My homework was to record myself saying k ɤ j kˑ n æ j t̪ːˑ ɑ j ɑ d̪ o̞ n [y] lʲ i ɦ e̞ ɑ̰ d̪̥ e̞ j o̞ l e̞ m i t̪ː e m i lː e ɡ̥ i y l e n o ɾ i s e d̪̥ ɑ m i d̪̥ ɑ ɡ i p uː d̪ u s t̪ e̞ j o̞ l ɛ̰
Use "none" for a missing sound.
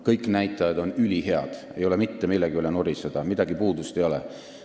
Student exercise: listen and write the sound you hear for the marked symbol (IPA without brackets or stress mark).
y